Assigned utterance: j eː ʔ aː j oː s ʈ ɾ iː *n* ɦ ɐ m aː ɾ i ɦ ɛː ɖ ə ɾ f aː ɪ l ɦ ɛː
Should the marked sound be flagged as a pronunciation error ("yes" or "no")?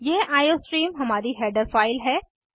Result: yes